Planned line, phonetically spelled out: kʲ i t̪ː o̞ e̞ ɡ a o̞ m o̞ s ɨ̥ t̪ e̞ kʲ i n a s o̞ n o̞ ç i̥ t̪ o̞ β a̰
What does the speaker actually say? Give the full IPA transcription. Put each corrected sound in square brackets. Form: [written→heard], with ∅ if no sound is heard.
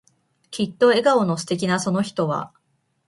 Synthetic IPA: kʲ i t̪ː o̞ e̞ ɡ a o̞ [m→n] o̞ s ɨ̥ t̪ e̞ kʲ i n a s o̞ n o̞ ç i̥ t̪ o̞ β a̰